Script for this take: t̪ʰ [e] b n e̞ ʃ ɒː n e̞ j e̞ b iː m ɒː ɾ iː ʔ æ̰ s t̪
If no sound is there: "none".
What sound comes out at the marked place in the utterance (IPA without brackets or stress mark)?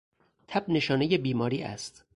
æ